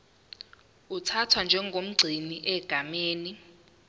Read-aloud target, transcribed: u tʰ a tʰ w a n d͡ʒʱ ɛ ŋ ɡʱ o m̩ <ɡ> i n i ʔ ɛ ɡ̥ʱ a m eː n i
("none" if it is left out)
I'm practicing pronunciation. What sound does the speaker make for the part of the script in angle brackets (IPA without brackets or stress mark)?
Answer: ɡ͡ǀʱ